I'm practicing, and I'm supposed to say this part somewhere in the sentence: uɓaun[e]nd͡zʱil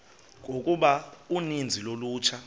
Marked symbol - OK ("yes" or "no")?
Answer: no